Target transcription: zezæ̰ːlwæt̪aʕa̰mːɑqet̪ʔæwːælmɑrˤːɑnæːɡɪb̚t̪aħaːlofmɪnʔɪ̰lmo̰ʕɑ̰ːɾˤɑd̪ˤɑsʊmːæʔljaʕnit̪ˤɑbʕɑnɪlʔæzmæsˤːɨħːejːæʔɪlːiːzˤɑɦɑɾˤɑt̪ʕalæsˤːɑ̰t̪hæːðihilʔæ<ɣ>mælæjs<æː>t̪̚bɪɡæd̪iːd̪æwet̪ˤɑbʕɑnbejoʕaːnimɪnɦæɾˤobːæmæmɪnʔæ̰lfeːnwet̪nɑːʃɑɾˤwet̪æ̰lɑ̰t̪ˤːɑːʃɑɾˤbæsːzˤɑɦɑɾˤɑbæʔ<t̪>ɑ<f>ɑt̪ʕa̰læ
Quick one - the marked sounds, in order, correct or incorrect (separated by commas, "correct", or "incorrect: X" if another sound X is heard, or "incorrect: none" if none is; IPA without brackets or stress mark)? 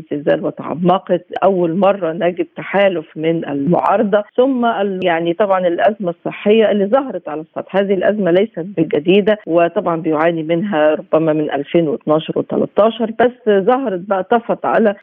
incorrect: z, incorrect: æ, correct, correct